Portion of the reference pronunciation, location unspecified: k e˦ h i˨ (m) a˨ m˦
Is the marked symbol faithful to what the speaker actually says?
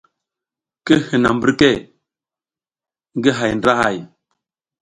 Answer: no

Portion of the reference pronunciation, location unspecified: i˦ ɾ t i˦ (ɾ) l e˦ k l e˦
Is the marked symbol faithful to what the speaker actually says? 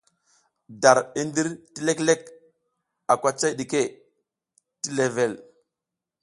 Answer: no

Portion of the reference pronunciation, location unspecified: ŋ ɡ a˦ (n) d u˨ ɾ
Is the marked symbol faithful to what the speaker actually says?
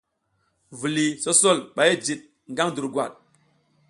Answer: no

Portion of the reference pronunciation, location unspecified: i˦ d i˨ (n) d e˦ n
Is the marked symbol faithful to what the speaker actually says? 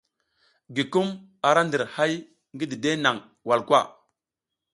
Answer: no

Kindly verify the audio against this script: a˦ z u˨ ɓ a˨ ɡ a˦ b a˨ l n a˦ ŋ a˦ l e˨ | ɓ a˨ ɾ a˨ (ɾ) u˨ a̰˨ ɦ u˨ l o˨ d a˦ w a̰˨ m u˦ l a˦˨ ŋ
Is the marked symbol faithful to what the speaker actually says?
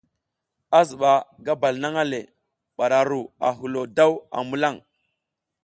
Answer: yes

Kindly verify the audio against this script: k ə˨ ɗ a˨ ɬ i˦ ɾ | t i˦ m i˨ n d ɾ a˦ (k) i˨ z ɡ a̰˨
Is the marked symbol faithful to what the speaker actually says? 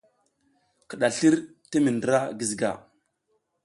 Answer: no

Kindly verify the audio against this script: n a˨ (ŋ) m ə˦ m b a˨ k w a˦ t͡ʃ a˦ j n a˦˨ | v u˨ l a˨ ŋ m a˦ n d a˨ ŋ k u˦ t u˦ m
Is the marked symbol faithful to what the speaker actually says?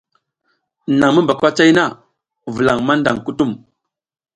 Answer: yes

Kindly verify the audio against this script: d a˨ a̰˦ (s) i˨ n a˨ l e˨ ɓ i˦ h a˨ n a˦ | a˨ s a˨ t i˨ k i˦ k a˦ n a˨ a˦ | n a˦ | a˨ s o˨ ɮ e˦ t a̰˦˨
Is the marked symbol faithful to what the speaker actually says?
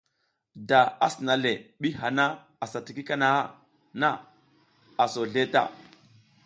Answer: yes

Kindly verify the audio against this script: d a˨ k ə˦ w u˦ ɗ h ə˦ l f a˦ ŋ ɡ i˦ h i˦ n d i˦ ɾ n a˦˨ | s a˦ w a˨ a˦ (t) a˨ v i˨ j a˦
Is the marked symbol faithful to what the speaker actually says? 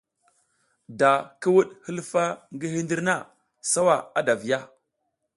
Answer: no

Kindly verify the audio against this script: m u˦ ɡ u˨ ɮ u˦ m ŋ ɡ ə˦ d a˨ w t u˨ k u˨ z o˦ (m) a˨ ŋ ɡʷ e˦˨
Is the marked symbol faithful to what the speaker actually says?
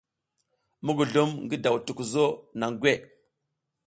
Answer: no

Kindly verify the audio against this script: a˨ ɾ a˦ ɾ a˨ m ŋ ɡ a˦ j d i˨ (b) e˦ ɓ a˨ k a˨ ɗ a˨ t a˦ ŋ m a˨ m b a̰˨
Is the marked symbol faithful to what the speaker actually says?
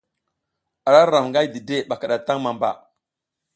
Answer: no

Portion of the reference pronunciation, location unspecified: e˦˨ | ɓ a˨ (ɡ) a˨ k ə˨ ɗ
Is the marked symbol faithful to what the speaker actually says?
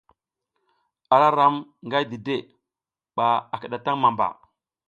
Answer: no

